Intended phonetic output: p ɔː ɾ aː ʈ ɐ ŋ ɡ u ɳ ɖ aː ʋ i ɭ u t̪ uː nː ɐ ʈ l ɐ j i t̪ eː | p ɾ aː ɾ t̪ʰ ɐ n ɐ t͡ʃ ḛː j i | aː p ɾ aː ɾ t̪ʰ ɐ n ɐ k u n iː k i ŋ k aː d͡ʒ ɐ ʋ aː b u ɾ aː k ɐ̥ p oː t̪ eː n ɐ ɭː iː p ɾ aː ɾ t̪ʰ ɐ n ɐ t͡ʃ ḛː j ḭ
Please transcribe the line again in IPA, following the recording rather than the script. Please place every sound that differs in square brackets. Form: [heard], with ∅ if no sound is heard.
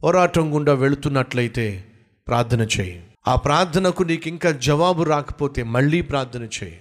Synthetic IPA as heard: p ɔː ɾ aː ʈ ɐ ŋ ɡ u ɳ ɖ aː ʋ [e] ɭ u t̪ [u] nː ɐ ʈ l ɐ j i t̪ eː | p ɾ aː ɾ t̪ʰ ɐ n ɐ t͡ʃ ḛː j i | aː p ɾ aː ɾ t̪ʰ ɐ n ɐ k u n iː k i ŋ k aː d͡ʒ ɐ ʋ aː b u ɾ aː k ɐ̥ p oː t̪ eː [m] ɐ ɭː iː p ɾ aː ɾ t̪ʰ ɐ n ɐ t͡ʃ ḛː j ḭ